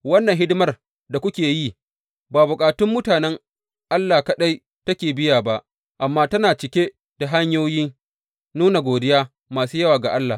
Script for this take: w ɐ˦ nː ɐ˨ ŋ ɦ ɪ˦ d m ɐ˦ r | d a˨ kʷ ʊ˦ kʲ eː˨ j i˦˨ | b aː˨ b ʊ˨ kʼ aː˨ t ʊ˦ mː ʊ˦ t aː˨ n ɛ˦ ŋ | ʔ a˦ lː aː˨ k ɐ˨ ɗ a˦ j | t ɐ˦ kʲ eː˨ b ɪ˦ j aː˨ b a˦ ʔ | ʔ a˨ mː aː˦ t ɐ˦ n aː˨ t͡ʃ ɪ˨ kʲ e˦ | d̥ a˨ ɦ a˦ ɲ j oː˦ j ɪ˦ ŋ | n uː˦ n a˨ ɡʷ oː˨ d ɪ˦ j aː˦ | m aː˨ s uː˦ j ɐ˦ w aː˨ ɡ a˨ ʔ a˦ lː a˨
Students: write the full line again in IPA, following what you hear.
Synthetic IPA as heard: w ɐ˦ nː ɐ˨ ŋ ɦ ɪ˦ d m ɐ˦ r | d a˨ kʷ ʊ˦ kʲ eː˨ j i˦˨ | b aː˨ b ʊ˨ kʼ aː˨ t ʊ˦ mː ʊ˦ t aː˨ n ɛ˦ ŋ | ʔ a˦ lː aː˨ k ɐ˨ ɗ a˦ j | t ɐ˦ kʲ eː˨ b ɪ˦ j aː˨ b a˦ ʔ | ʔ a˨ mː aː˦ t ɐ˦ n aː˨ t͡ʃ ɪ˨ kʲ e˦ | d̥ a˨ ɦ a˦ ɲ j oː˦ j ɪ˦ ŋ | n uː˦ n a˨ ɡʷ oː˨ d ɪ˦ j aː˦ | m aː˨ s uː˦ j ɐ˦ w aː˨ ɡ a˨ ʔ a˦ lː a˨